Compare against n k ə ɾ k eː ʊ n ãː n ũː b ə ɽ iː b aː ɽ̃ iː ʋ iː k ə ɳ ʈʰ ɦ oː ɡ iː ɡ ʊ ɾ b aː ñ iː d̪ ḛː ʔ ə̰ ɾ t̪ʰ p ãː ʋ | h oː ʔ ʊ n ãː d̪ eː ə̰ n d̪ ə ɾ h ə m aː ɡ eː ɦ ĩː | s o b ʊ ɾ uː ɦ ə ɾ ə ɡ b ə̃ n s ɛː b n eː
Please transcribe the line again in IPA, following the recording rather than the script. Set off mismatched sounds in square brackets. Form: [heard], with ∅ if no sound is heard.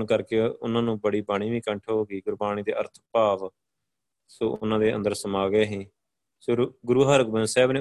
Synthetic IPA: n k ə ɾ k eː ʊ n ãː n ũː b ə ɽ iː b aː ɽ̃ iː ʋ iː k ə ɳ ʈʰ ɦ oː ɡ iː ɡ ʊ ɾ b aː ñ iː d̪ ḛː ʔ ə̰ ɾ t̪ʰ p [aː] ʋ | [s] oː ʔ ʊ n ãː d̪ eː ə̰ n d̪ ə ɾ [s] ə m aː ɡ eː ɦ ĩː | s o [ɡ] ʊ ɾ uː ɦ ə ɾ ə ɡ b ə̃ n s ɛː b n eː